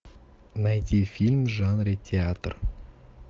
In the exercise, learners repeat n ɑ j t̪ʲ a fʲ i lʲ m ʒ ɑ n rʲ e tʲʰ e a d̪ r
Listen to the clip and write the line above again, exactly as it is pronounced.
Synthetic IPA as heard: n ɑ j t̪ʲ i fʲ i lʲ m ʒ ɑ n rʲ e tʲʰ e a t̪ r